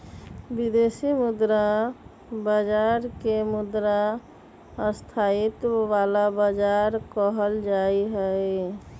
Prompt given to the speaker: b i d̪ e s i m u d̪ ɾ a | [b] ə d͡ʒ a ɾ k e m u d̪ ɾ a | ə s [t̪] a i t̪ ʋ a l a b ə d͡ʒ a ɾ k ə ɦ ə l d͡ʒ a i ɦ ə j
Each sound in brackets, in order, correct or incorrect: correct, incorrect: t̪ʰ

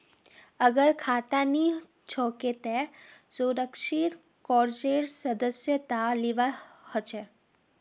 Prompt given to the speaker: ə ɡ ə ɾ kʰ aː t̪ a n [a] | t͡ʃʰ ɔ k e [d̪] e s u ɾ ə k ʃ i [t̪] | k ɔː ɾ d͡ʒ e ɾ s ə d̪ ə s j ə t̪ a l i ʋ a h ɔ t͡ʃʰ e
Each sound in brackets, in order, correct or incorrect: incorrect: i, incorrect: t̪, correct

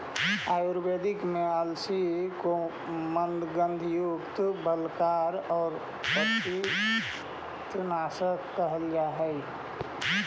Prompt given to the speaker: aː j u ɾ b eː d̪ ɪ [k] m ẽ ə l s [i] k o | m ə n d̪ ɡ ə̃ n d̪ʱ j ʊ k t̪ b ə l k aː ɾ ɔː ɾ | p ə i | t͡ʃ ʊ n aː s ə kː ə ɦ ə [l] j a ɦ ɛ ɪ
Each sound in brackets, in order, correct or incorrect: correct, correct, correct

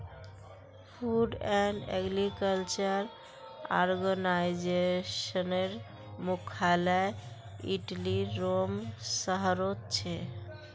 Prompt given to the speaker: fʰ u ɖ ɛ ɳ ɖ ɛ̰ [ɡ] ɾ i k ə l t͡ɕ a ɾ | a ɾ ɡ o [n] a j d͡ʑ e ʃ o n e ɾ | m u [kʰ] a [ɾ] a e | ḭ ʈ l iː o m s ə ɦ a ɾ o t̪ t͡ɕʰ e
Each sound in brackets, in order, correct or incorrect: correct, correct, correct, incorrect: l

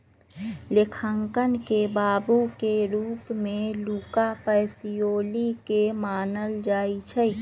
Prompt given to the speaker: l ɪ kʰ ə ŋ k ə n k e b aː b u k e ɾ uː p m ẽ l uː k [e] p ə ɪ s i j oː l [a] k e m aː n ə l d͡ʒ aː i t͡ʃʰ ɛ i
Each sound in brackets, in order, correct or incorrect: incorrect: a, incorrect: i

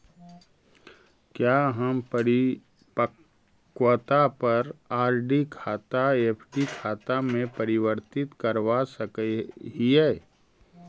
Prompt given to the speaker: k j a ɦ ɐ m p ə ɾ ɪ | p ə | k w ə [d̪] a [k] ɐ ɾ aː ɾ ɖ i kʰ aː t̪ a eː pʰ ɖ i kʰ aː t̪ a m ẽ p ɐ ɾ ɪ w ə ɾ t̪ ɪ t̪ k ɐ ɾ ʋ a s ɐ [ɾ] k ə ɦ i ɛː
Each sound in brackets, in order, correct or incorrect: incorrect: t̪, incorrect: p, incorrect: none

